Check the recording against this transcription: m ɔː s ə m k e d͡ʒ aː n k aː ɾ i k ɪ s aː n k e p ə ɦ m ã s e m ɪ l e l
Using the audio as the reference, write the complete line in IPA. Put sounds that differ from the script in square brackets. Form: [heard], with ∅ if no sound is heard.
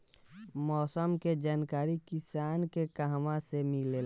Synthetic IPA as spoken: m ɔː s ə m k e d͡ʒ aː n k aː ɾ i k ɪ s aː n k e [k] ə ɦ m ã s e m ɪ l e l

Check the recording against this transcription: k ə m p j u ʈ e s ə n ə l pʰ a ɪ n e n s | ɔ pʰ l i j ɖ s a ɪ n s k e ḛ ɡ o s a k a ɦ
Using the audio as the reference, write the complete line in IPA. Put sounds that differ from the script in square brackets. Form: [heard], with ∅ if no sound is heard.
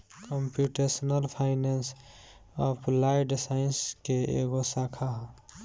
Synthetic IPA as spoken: k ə m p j u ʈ e s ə n ə l pʰ a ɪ n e n s | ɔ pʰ l [a] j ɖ s a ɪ n s k e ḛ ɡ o s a [kʰ] a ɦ

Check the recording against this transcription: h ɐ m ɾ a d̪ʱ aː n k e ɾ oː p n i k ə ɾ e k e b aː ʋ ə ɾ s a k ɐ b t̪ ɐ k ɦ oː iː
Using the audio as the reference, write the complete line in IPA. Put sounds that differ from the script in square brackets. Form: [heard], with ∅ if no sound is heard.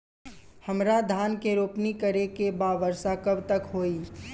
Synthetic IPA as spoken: h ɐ m ɾ a d̪ʱ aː n k e ɾ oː p n i k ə ɾ e k e b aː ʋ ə ɾ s a k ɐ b t̪ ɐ k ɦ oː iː

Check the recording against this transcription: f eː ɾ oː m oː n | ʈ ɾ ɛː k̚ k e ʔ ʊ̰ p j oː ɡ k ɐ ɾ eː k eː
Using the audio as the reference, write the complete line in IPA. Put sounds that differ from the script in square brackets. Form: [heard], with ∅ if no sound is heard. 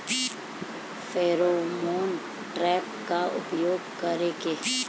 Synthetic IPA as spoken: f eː ɾ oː m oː n | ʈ ɾ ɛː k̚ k [a] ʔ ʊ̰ p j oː ɡ k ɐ ɾ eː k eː

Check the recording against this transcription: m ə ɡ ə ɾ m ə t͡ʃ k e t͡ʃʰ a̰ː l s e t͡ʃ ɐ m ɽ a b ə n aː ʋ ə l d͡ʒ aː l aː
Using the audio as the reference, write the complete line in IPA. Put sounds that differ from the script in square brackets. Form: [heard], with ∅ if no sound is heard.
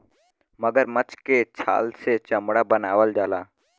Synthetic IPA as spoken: m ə ɡ ə ɾ m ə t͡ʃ k e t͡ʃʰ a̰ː l s e t͡ʃ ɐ m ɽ a b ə n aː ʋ ə l d͡ʒ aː l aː

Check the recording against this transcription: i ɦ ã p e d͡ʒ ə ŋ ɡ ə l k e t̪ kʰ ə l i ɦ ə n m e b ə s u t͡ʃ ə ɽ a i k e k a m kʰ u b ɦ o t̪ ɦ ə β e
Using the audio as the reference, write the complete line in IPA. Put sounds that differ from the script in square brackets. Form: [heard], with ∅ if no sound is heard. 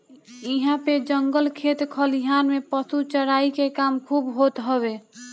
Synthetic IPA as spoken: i ɦ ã p e d͡ʒ ə ŋ ɡ ə l [kʰ] e t̪ kʰ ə l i ɦ [a] n m e [p] ə s u t͡ʃ ə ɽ a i k e k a m kʰ u b ɦ o t̪ ɦ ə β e

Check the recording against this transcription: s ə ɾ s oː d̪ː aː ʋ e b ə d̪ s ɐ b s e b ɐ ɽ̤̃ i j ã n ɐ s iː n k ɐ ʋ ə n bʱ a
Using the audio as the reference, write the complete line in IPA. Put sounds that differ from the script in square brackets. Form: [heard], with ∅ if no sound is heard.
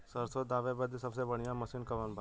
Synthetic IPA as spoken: s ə ɾ s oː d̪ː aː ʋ e b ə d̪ s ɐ b s e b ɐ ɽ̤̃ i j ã [m] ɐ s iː n k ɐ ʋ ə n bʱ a

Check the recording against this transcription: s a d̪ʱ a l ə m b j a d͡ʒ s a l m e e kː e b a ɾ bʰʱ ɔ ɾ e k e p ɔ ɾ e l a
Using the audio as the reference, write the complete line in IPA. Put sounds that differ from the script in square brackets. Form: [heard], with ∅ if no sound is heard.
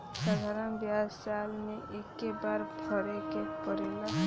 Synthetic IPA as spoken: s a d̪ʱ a [ɾ] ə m b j a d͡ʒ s a l m e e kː e b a ɾ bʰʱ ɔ ɾ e k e p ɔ ɾ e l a

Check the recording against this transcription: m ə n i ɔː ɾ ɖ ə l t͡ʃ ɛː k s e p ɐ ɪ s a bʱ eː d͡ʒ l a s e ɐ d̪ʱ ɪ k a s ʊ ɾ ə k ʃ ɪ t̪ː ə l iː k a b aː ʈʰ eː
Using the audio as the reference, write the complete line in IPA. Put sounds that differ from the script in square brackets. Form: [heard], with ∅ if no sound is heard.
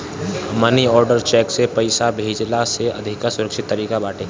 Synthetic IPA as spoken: m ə n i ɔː ɾ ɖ ə [ɾ] t͡ʃ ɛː k s e p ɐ ɪ s a bʱ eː d͡ʒ l a s e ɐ d̪ʱ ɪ k a s ʊ ɾ ə k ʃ ɪ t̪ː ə [ɾ] iː k a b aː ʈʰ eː

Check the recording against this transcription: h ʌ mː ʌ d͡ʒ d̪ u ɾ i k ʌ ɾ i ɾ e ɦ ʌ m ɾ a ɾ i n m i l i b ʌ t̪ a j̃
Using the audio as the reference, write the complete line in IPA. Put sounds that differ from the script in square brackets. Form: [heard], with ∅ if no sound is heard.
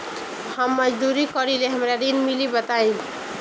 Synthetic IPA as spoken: h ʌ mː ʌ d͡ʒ d̪ u ɾ i k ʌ ɾ i [l] e ɦ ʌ m ɾ a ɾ i n m i l i b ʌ t̪ a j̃

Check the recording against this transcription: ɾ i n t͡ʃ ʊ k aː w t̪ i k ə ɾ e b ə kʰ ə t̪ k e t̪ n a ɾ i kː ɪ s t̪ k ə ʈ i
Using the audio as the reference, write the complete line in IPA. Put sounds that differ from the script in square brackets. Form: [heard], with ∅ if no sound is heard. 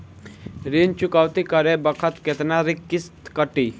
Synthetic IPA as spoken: ɾ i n t͡ʃ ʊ k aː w t̪ i k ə ɾ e b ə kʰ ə t̪ k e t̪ n a ɾ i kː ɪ s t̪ k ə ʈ i

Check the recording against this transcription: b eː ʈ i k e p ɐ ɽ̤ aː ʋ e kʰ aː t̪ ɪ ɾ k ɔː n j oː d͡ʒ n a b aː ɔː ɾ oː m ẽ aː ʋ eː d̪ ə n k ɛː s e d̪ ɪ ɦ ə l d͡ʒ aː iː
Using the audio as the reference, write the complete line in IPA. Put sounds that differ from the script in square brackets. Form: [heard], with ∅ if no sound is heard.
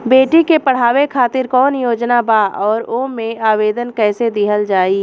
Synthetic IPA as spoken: b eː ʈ i k e p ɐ ɽ̤ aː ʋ e kʰ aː t̪ ɪ ɾ k ɔː n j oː d͡ʒ n a b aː ɔː ɾ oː m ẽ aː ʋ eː d̪ ə n k ɛː s e d̪ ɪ ɦ ə l d͡ʒ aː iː

